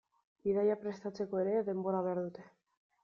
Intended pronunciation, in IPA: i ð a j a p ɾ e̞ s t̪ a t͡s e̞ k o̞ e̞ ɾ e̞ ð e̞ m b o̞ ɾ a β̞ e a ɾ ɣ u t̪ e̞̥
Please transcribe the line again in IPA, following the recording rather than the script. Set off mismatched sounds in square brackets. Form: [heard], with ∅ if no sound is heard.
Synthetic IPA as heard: i ð a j a p ɾ e̞ s t̪ a t͡s e̞ k o̞ e̞ ɾ e̞ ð e̞ m b o̞ ɾ a β̞ e a ɾ [ð] u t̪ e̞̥